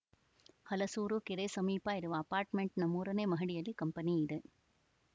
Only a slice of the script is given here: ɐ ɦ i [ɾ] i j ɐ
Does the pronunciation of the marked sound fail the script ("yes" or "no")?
yes